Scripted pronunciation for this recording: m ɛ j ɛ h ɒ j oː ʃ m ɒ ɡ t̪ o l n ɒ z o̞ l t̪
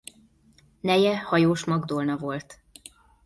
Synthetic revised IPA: n ɛ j ɛ h ɒ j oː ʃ m ɒ ɡ d̪ o l n ɒ v o̞ l t̪